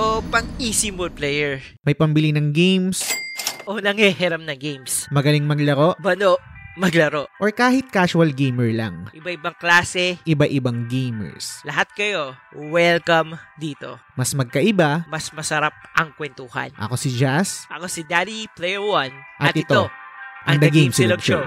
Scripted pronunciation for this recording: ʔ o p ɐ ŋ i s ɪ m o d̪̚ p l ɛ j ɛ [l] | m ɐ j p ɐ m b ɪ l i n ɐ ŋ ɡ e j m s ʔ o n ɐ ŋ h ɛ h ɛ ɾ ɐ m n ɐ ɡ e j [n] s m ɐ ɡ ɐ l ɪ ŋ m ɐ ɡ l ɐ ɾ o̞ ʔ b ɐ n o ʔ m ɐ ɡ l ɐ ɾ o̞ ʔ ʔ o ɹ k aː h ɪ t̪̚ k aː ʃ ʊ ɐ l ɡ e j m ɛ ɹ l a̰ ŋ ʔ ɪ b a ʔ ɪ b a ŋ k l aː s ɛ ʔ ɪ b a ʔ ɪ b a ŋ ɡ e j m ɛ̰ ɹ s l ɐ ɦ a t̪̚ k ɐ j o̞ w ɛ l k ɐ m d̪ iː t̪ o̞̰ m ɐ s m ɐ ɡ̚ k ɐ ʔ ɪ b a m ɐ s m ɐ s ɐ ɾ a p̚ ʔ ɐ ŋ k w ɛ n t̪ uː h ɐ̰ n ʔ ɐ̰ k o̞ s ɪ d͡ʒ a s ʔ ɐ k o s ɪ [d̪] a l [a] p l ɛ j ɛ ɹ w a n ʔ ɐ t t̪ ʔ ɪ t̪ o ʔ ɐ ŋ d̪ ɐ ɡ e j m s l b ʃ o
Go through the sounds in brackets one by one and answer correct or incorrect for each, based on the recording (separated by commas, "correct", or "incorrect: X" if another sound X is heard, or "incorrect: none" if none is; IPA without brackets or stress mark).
incorrect: ɹ, incorrect: m, correct, incorrect: i